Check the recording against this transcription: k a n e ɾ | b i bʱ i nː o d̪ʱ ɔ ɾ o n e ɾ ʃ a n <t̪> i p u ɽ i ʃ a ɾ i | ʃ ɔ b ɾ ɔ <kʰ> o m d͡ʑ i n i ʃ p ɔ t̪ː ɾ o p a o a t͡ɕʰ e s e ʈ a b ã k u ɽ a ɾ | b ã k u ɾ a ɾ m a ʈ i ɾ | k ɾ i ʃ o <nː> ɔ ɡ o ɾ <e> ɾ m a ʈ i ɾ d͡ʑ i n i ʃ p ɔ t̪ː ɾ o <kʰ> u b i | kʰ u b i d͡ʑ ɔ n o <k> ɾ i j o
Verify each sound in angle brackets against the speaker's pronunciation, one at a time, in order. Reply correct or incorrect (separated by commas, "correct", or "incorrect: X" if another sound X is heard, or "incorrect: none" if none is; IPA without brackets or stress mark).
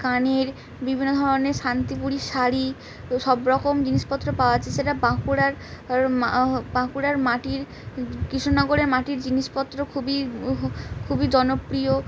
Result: correct, incorrect: k, incorrect: n, correct, correct, incorrect: p